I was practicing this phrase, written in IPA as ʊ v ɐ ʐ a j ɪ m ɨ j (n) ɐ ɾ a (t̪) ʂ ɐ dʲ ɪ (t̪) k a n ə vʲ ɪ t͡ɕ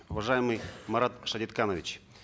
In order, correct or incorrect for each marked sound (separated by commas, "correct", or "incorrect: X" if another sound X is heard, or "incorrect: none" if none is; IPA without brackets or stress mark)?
incorrect: m, correct, correct